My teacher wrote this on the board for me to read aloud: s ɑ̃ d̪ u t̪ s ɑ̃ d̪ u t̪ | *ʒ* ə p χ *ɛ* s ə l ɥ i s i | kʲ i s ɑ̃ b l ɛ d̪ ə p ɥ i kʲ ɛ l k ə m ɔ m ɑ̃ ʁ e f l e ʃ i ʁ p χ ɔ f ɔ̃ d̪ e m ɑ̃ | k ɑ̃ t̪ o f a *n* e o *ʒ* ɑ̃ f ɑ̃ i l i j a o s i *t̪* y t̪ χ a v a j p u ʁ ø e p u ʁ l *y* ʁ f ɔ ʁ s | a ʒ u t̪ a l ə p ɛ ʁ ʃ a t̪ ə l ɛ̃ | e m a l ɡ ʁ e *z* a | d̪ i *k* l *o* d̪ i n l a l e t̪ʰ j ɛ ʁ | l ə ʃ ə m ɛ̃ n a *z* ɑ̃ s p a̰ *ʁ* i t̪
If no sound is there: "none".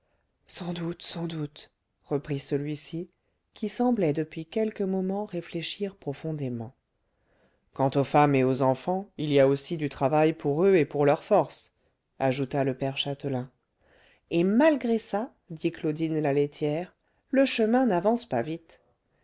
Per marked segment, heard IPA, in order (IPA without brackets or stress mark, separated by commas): ʁ, i, m, z, d̪, œ, s, k, o, v, v